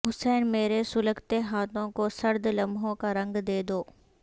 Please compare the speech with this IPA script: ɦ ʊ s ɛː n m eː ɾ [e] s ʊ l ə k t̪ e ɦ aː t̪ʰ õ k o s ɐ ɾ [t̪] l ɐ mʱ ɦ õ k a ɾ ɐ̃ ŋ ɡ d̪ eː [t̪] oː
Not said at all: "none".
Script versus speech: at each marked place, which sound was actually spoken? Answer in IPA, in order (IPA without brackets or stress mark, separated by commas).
e, d̪, d̪